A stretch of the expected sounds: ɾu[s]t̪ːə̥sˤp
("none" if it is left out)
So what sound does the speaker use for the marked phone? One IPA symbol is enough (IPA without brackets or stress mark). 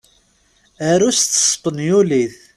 s